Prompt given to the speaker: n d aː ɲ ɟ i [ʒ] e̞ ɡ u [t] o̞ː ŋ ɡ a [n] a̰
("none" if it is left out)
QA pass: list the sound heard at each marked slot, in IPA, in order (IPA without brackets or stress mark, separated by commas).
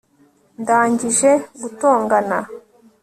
ʒ, t, n